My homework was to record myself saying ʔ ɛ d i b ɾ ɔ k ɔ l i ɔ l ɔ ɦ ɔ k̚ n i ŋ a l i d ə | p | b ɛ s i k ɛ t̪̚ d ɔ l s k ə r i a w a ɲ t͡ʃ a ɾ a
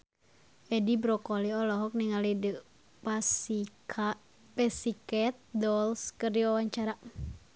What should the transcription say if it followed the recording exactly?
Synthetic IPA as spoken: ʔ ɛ d i b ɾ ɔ k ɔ l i ɔ l ɔ ɦ ɔ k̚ n i ŋ a l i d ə | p | p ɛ s i k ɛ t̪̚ d ɔ l s k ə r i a w a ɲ t͡ʃ a ɾ a